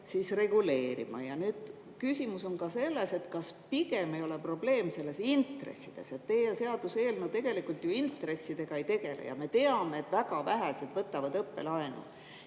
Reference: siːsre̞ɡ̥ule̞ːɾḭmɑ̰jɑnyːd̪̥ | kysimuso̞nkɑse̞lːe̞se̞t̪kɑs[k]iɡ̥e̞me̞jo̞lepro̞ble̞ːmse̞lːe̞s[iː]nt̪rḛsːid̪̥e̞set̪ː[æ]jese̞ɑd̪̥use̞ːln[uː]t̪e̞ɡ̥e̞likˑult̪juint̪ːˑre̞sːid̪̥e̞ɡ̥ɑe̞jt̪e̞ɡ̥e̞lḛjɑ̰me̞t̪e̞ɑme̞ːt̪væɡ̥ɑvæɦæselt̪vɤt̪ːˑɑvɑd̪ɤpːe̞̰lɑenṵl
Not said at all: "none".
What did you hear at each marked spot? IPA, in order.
p, i, e, u

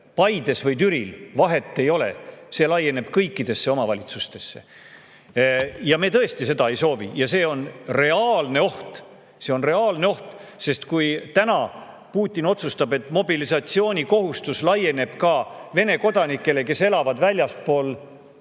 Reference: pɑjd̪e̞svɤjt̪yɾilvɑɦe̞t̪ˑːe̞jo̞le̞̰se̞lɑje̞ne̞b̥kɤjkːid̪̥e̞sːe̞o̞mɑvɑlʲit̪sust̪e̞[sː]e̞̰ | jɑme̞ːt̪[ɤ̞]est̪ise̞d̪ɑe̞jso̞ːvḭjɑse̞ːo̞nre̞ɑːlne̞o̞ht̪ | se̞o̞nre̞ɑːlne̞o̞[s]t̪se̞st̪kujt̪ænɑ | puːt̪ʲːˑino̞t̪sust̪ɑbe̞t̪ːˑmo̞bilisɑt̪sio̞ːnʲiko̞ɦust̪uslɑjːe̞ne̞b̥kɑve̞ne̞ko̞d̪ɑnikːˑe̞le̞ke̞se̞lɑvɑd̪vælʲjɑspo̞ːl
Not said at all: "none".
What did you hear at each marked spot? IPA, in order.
sː, ɤ̞, h

